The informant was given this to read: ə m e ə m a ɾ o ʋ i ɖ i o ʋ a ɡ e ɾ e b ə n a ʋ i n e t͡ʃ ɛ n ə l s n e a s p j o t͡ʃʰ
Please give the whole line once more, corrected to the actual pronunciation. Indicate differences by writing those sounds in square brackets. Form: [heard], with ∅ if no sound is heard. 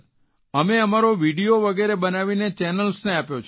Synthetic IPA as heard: ə m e ə m a ɾ o ʋ i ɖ i o ʋ [ə] ɡ e ɾ e b ə n a ʋ i n e t͡ʃ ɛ n ə l s n e a [∅] p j o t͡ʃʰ